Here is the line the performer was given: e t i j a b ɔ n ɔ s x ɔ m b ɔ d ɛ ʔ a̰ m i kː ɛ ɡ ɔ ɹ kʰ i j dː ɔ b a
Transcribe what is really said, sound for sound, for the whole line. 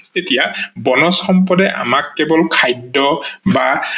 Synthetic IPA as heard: e t i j a b ɔ n ɔ s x ɔ m p ɔ d ɛ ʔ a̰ m a kː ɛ b ɔ l kʰ a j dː ɔ b a